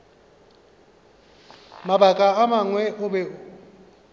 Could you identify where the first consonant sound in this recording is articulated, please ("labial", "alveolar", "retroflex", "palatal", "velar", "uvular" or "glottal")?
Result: labial